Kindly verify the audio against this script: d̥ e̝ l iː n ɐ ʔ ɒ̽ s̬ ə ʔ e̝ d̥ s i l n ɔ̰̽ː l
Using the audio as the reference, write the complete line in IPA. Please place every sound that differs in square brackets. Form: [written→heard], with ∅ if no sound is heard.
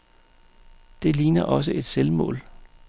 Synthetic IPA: d̥ e̝ l iː n ɐ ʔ ɒ̽ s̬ ə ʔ e̝ d̥ s [i→e] l [n→m] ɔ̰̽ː l